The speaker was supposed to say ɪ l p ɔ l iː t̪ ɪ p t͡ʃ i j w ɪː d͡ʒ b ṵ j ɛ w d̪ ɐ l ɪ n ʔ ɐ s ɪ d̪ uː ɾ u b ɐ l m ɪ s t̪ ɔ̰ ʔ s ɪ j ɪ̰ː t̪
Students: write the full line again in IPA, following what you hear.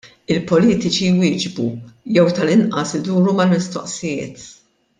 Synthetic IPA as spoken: ɪ l p ɔ l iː t̪ ɪ t͡ʃ i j w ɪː d͡ʒ b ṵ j ɛ w t̪ ɐ l ɪ n ʔ ɐ s ɪ d̪ uː ɾ u m ɐ l m ɪ s t̪ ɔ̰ ʔ s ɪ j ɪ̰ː t̪